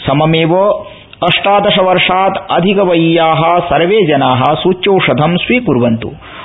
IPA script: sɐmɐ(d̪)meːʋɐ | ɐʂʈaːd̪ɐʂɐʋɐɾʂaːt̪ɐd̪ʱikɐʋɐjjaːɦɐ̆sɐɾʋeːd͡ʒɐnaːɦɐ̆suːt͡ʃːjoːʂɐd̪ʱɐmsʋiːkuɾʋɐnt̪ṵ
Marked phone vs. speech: incorrect: none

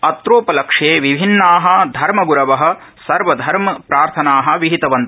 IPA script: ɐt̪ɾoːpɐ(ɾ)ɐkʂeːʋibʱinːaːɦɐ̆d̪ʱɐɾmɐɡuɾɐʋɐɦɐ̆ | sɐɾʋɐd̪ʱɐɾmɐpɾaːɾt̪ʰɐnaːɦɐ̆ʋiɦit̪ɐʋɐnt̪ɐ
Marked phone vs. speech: incorrect: l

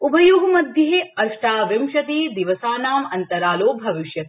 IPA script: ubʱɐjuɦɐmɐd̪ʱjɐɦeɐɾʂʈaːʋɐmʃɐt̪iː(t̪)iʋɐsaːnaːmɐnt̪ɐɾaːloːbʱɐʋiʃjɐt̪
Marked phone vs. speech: incorrect: d̪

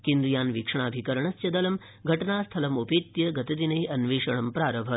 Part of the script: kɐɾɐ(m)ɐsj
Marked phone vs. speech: incorrect: ɳ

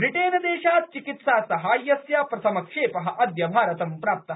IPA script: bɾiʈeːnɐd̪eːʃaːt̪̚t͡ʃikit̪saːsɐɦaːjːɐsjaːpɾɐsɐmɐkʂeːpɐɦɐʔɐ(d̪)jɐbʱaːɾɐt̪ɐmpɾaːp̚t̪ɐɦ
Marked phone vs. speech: correct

